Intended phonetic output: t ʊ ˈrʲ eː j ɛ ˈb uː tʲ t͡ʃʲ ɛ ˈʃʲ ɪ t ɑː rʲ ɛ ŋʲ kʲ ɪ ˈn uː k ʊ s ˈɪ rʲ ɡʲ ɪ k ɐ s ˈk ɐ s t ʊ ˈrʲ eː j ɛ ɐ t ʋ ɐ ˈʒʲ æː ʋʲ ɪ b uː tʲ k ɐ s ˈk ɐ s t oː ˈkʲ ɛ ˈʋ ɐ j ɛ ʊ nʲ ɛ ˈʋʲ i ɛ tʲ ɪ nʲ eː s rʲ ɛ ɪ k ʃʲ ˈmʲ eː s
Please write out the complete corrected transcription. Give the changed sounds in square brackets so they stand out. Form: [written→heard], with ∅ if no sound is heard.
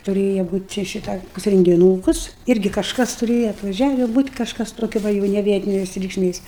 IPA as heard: t ʊ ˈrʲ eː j ɛ ˈb uː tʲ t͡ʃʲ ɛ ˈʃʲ ɪ t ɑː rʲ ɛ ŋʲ [kʲ→ɡʲ] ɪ ˈn uː k ʊ s ˈɪ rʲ ɡʲ ɪ k ɐ [s→ʃ] ˈk ɐ s t ʊ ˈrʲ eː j ɛ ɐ t ʋ ɐ ˈʒʲ æː ʋʲ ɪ b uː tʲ k ɐ [s→ʃ] ˈk ɐ s t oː ˈkʲ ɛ ˈʋ ɐ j ɛ ʊ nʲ ɛ ˈʋʲ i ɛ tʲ ɪ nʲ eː s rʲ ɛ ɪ k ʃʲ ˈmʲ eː s